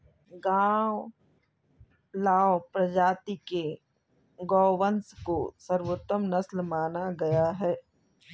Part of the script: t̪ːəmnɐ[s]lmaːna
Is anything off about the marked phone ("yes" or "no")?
no